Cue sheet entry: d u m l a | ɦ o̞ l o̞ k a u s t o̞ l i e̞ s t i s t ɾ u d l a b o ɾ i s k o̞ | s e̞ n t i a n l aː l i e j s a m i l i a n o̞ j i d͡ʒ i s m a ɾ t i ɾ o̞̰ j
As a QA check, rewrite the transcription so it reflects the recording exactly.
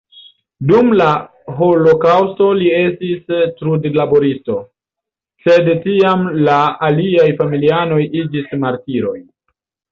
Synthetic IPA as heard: d u m l a | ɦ o̞ l o̞ k a w s t o̞ l i e̞ s t i s t ɾ u d l a b o ɾ i s t o̞ | s e̞ d t i a m l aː l i a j f a m i l i a n o̞ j i d͡ʒ i s m a ɾ t i ɾ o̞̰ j